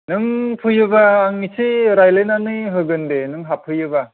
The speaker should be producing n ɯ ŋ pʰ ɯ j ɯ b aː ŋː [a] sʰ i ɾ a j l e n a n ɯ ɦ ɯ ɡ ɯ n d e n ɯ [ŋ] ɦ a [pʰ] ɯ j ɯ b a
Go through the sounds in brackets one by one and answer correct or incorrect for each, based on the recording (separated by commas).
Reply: incorrect, correct, correct